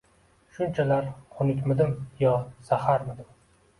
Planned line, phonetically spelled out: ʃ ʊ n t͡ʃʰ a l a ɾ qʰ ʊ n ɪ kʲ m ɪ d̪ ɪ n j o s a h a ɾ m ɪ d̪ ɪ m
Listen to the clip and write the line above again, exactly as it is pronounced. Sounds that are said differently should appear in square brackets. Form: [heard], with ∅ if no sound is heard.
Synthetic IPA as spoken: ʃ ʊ n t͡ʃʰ a l a ɾ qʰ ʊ n ɪ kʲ m ɪ d̪ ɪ [m] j [ɒ] s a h a ɾ m ɪ d̪ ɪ m